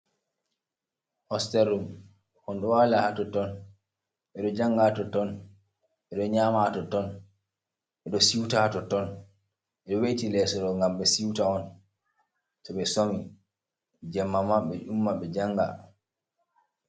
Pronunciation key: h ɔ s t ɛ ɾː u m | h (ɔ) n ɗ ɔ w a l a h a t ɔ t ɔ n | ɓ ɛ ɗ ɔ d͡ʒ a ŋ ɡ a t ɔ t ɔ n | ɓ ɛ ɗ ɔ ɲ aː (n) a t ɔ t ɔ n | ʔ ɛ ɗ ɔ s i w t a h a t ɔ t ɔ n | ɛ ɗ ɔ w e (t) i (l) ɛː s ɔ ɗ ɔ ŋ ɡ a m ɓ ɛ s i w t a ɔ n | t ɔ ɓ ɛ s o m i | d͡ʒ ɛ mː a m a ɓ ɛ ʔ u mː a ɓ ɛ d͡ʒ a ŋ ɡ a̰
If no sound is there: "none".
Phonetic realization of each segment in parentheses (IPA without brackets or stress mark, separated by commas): ɔ, m, t, l